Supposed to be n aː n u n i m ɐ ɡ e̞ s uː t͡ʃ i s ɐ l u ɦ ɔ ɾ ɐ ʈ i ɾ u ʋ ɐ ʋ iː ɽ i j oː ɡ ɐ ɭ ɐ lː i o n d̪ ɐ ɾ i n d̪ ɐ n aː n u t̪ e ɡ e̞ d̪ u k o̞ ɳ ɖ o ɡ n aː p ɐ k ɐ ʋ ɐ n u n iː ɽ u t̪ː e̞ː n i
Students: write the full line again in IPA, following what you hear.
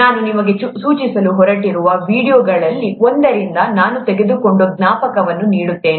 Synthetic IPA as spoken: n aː n u n i m ɐ ɡ e̞ s uː t͡ʃ i s ɐ l u ɦ ɔ ɾ ɐ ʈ i ɾ u ʋ ɐ ʋ iː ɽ i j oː ɡ ɐ ɭ ɐ lː i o n d̪ ɐ ɾ i n d̪ ɐ n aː n u t̪ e ɡ e̞ d̪ u k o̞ ɳ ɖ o ɡ n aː p ɐ k ɐ ʋ ɐ nː u n iː ɽ u t̪ː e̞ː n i